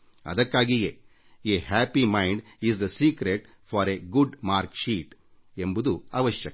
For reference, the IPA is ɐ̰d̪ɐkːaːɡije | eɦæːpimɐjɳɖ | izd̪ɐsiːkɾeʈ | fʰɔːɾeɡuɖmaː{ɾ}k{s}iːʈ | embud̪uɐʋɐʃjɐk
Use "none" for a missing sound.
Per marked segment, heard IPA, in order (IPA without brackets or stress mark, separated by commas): ɾ, ʃ